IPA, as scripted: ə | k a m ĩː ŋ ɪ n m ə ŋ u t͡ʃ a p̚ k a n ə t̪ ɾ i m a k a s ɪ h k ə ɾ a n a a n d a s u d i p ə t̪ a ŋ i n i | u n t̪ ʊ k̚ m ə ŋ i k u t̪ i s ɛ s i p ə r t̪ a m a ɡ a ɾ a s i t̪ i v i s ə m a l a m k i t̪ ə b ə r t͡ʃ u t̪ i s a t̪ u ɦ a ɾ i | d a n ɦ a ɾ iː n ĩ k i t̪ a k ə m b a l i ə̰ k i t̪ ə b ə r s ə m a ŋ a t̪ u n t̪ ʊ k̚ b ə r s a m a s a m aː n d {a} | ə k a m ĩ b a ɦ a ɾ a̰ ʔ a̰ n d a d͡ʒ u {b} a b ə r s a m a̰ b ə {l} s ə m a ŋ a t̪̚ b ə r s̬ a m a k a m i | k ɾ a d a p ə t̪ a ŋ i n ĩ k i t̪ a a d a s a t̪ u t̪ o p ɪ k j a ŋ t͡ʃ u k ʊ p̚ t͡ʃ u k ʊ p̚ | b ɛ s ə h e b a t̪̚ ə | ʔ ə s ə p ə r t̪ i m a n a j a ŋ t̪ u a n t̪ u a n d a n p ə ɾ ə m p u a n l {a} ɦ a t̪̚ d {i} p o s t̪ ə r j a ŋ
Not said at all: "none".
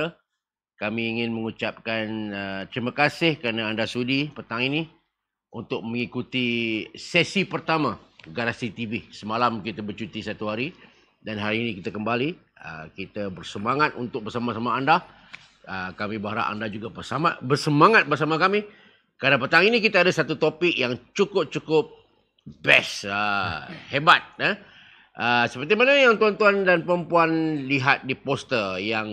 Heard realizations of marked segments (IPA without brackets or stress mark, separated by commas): a, ɡ, r, i, i